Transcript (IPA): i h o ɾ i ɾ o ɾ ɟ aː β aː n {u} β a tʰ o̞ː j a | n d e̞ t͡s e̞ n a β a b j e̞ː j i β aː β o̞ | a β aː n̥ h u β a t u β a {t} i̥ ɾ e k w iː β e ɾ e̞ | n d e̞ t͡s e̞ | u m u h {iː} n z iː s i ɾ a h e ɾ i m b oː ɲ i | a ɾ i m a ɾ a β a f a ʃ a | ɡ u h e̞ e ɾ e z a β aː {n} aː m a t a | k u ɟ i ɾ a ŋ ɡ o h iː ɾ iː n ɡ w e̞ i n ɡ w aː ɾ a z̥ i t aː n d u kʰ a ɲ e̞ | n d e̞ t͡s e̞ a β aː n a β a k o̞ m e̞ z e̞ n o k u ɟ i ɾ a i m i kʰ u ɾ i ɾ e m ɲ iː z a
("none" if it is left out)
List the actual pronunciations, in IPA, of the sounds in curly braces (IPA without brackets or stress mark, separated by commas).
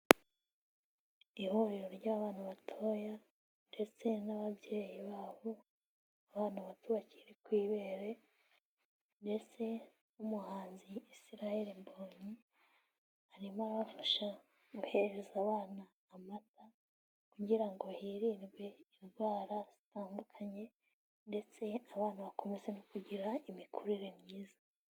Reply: u, c, aː, n